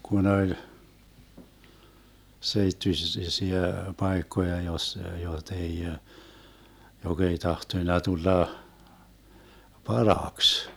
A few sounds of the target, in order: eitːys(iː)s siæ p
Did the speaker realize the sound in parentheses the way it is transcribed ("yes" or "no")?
no